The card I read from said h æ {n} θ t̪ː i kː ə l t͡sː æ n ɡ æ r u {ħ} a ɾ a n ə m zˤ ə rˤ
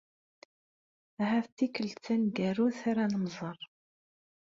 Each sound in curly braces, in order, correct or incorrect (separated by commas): incorrect, incorrect